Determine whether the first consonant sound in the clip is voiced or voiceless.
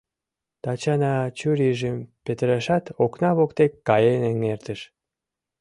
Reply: voiceless